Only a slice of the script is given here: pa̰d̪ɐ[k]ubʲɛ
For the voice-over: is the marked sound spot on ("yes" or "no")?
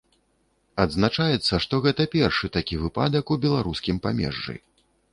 yes